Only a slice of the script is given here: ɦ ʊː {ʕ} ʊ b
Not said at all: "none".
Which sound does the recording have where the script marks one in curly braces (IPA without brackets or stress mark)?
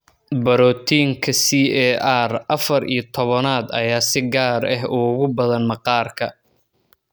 ɣ